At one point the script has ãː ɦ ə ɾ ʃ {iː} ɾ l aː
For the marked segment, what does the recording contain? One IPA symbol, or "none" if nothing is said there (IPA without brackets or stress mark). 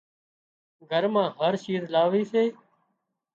iː